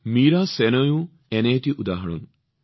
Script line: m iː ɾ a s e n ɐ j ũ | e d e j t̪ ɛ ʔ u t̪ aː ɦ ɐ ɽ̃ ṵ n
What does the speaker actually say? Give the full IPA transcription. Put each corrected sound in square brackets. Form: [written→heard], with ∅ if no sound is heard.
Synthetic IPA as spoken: m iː ɾ a s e n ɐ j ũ | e [d→n] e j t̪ [ɛ→i] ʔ u [t̪→d̪] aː ɦ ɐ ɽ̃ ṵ n